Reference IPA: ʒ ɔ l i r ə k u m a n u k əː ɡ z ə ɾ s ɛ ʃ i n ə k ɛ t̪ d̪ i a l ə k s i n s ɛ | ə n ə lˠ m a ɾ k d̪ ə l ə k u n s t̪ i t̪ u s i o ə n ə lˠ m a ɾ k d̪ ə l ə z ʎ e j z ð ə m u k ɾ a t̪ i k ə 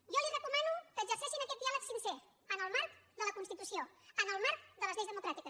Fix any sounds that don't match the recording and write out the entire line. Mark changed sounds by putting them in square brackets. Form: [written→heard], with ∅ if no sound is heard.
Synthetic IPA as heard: ʒ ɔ l i r ə k u m a n u k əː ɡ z ə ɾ s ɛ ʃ i n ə k ɛ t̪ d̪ i a l ə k s i n s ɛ | ə n ə lˠ m a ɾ k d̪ ə l ə k u n s t̪ i t̪ u s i o ə n ə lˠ m a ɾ k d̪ ə l ə z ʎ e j z ð ə m u k ɾ a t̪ i k ə